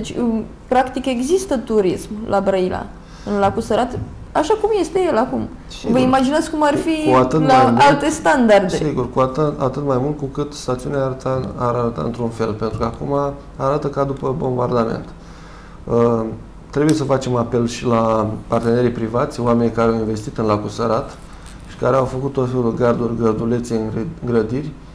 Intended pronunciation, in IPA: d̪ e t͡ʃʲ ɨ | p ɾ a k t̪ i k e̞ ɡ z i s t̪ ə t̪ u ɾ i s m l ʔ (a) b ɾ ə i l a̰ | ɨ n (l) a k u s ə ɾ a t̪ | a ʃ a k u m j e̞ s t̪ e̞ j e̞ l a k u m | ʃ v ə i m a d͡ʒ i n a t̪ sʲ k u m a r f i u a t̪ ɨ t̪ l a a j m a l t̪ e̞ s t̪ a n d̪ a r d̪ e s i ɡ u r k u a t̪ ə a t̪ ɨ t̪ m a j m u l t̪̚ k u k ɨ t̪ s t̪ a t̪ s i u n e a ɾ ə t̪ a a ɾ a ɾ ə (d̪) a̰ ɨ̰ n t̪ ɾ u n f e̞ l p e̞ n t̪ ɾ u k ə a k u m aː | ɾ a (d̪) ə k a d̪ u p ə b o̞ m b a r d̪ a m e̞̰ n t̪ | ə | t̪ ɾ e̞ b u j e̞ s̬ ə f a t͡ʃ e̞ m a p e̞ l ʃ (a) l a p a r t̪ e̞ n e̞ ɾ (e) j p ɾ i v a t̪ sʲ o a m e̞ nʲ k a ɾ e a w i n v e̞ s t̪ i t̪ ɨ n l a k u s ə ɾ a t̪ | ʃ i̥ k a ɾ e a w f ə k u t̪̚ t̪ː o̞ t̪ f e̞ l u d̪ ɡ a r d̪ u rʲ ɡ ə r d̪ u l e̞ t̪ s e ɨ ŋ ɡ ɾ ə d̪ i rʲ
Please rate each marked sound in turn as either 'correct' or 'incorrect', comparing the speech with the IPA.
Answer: correct, correct, incorrect, incorrect, incorrect, incorrect

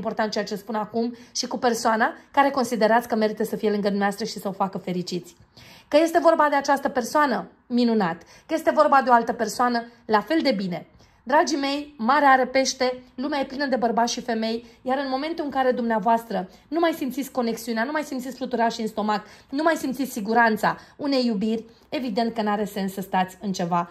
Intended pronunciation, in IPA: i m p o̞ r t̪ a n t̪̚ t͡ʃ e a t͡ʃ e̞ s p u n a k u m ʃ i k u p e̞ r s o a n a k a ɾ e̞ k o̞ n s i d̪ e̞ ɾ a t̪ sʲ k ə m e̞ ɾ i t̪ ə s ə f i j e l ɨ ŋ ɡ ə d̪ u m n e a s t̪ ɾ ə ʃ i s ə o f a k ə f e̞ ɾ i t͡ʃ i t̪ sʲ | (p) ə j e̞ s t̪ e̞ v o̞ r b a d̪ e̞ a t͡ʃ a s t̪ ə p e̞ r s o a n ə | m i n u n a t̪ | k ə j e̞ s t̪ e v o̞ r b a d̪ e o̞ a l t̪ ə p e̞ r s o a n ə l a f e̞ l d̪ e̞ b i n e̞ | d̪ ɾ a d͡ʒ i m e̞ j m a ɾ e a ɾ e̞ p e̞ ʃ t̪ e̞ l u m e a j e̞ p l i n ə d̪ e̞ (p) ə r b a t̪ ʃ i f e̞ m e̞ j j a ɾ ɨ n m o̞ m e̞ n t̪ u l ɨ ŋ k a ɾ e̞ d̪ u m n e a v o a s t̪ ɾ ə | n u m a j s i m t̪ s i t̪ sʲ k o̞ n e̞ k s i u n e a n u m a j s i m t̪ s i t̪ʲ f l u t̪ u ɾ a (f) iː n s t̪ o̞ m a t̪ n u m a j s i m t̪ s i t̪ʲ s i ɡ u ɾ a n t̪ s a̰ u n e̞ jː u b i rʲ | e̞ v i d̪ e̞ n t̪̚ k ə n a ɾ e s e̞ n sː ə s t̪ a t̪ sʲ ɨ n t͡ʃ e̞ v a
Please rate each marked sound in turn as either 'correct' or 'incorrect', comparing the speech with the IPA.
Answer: incorrect, incorrect, incorrect

